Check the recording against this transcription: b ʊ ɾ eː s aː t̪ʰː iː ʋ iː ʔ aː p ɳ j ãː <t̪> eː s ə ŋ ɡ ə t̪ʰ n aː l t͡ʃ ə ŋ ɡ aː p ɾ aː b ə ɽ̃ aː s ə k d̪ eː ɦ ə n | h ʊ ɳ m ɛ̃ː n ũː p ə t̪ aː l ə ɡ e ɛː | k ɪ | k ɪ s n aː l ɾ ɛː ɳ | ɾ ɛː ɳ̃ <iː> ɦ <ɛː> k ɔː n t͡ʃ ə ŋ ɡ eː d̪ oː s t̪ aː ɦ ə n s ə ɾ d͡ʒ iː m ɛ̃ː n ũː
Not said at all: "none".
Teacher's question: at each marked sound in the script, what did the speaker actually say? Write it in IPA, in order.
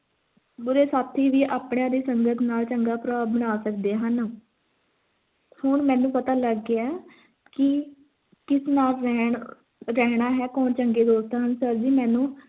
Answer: d̪, aː, ɛː

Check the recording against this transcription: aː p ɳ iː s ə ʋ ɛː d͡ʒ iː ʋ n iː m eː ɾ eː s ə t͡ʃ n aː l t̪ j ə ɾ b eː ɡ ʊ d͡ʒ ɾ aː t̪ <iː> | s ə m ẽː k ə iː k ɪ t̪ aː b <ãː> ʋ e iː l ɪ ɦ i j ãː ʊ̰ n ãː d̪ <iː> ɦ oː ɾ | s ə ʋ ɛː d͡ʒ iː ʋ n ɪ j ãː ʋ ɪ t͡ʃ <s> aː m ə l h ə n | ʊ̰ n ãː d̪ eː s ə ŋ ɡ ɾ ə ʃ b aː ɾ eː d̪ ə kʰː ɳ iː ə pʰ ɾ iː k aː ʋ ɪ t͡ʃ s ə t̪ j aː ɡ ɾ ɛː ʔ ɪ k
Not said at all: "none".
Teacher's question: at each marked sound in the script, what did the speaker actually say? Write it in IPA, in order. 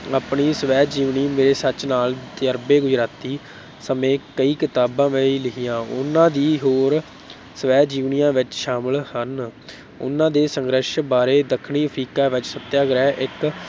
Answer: iː, ãː, iː, ʃ

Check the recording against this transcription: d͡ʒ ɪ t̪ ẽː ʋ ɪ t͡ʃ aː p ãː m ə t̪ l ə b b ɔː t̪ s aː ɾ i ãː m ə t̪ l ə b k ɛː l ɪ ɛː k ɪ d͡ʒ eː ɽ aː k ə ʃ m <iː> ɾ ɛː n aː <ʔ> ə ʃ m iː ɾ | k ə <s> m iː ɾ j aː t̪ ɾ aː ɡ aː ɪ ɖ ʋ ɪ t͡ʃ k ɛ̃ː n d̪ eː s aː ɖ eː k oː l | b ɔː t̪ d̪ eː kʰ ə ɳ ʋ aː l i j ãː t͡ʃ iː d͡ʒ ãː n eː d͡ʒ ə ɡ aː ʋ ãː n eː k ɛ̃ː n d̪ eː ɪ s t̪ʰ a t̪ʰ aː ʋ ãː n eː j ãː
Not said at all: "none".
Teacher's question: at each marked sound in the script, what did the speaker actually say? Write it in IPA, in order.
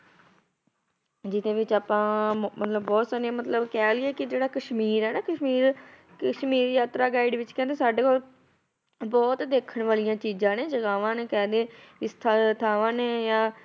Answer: iː, k, ʃ

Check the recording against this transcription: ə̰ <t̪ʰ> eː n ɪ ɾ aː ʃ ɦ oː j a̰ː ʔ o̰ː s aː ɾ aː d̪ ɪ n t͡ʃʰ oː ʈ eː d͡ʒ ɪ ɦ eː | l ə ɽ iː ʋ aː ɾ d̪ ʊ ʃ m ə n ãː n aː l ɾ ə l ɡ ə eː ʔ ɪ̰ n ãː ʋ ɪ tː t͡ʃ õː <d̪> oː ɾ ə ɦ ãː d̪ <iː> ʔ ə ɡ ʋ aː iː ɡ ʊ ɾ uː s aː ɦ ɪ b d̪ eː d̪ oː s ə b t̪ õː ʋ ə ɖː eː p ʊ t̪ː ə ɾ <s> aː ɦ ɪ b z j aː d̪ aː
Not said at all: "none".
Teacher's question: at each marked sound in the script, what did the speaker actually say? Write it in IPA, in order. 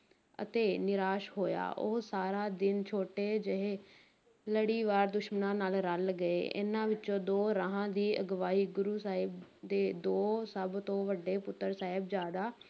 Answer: t̪, d̪, iː, s

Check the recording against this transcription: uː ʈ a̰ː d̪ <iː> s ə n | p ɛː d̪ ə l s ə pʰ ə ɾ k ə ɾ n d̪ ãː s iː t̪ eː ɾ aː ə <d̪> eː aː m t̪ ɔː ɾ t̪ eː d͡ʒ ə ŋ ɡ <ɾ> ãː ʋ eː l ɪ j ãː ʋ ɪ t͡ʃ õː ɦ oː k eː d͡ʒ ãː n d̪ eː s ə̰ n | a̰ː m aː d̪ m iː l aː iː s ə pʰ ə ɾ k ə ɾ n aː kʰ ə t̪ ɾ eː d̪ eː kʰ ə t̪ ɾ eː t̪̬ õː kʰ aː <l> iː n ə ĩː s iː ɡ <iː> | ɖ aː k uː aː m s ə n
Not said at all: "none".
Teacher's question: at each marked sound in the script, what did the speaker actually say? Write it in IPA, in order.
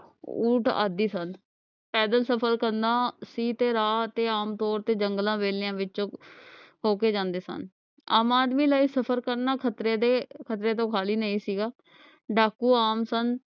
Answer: iː, t̪, l, l, aː

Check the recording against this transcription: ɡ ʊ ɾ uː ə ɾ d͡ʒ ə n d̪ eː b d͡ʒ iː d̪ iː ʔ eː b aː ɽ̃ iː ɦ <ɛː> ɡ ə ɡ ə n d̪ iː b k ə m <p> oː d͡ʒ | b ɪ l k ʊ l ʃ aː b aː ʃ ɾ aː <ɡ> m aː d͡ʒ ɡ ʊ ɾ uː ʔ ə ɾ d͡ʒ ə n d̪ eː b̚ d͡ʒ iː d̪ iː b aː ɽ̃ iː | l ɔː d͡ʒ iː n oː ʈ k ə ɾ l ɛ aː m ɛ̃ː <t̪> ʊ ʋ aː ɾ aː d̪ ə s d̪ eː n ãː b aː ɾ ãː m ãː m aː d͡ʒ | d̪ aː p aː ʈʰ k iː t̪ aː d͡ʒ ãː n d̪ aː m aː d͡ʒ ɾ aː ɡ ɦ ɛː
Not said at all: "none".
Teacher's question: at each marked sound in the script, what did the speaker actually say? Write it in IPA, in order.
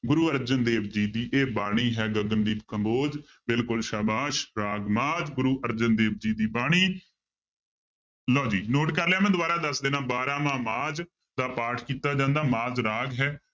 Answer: ɛː, b, ɡ, d̪

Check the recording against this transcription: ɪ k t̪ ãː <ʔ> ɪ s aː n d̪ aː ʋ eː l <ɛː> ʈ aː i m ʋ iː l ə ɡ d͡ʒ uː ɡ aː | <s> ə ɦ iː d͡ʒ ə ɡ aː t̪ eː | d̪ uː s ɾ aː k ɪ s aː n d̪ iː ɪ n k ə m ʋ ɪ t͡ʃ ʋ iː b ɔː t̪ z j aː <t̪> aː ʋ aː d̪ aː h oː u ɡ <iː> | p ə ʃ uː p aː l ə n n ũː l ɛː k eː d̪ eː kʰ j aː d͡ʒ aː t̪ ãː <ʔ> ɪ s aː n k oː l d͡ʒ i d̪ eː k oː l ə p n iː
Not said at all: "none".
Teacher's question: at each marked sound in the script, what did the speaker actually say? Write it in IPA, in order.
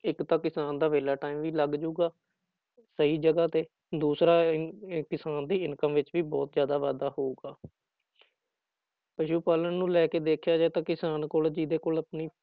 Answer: k, aː, s, d̪, aː, k

